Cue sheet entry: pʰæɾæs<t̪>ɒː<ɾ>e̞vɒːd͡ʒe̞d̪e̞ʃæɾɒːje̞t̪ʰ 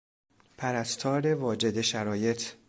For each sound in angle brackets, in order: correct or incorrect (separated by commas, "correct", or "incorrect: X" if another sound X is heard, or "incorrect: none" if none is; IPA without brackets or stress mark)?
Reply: incorrect: t̪ʰ, correct